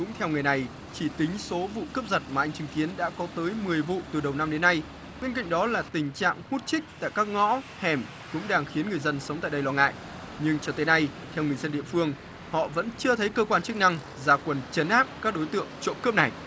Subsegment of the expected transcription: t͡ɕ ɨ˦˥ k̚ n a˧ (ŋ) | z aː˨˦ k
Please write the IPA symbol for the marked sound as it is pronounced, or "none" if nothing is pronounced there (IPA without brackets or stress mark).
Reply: ŋ